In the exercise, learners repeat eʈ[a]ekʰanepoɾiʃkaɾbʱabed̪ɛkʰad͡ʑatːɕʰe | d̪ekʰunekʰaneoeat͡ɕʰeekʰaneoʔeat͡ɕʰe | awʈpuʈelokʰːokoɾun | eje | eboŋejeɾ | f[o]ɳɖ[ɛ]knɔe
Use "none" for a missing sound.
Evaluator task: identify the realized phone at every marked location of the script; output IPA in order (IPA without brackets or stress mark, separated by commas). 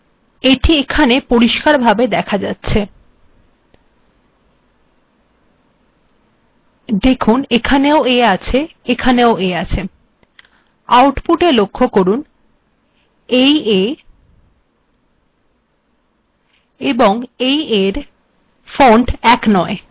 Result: i, o, ɛ